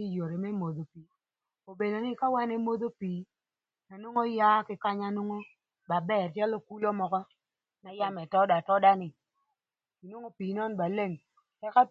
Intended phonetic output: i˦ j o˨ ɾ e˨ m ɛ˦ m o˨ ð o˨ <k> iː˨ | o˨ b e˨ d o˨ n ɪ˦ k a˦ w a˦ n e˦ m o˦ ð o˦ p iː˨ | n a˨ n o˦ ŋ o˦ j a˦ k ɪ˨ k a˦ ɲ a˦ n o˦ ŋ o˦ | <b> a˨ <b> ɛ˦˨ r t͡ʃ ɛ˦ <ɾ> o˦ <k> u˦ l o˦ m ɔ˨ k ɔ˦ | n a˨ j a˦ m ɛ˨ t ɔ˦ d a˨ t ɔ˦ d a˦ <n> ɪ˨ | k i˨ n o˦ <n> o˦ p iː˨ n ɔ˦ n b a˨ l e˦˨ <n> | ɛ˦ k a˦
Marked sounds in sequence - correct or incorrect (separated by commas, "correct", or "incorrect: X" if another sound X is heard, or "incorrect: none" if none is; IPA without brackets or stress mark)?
incorrect: p, correct, correct, incorrect: l, correct, correct, incorrect: ŋ, incorrect: ŋ